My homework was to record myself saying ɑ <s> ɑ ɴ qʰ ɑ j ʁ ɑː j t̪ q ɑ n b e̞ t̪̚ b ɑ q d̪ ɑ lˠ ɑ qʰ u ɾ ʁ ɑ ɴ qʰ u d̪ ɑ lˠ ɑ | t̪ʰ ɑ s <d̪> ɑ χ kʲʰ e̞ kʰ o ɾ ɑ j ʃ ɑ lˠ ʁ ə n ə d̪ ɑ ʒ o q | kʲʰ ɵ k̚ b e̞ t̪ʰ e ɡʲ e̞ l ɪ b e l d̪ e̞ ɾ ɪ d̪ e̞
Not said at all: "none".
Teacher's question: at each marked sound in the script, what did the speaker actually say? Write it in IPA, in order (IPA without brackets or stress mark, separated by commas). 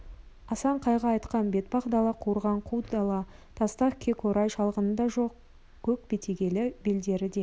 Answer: s, t̪